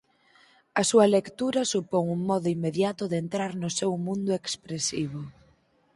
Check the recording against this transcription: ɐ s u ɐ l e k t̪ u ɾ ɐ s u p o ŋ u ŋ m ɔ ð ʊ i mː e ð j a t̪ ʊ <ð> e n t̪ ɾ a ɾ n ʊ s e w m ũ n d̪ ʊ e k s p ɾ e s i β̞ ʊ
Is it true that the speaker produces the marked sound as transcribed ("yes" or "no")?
yes